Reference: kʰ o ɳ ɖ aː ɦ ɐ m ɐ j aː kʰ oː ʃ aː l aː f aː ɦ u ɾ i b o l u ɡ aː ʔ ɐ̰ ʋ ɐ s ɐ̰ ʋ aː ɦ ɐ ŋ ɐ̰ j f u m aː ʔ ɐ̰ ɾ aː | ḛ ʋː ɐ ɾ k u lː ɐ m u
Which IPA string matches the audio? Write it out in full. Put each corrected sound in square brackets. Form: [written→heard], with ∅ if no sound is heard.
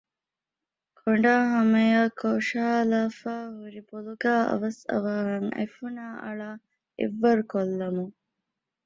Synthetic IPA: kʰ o ɳ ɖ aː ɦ ɐ m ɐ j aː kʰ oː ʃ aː l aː f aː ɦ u ɾ i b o l u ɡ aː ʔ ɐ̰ ʋ ɐ s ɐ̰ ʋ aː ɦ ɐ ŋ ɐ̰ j f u [m→n] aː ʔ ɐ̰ [ɾ→ɭ] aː | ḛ ʋː ɐ ɾ k [u→o] lː ɐ m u